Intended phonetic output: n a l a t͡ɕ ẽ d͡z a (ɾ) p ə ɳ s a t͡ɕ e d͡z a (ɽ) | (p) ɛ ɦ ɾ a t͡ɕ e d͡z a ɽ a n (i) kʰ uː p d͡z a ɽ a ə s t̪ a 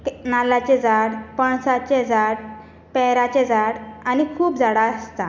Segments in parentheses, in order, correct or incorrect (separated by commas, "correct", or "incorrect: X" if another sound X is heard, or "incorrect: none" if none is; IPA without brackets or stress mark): incorrect: ɽ, correct, correct, correct